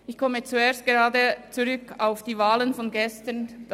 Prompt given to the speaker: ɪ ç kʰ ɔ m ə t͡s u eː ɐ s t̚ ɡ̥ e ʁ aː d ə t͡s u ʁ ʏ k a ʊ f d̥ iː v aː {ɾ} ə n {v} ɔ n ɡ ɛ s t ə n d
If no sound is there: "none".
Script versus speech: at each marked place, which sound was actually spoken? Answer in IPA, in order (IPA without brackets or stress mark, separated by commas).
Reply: l, f